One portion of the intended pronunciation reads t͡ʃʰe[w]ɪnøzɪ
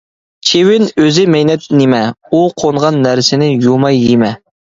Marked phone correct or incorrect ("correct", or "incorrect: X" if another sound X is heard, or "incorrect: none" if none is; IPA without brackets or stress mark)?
correct